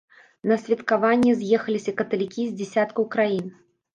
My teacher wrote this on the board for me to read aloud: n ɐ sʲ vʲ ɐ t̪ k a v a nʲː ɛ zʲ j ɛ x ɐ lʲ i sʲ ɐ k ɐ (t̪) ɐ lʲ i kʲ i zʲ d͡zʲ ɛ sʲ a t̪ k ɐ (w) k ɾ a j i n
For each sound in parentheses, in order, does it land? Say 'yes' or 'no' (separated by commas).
yes, yes